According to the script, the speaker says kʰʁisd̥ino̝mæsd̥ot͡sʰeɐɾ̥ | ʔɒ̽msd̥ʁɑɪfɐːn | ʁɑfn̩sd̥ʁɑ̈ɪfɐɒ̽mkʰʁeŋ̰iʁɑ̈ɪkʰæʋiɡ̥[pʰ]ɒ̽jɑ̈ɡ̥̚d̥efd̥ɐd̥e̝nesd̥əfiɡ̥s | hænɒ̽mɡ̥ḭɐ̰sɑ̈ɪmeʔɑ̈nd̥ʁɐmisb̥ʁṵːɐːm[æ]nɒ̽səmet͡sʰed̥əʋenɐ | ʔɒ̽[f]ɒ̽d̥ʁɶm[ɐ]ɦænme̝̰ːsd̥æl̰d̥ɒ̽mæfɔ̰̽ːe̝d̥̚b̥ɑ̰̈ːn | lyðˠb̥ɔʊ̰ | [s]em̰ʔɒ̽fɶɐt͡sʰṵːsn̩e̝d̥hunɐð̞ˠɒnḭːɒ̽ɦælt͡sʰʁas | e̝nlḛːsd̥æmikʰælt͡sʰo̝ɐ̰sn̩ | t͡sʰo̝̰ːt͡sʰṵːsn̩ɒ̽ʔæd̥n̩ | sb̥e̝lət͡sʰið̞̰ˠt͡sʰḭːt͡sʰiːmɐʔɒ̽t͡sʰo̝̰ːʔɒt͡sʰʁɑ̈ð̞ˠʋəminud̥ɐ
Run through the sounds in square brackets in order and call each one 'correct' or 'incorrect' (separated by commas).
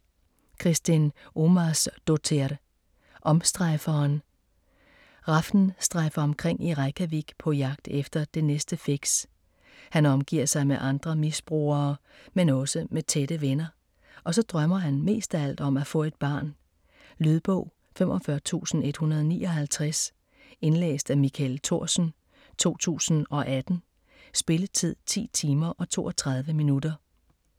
correct, incorrect, incorrect, correct, incorrect